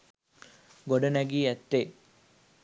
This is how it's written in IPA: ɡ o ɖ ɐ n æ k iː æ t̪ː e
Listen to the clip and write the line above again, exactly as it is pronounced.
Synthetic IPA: ɡ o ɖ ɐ n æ ɡ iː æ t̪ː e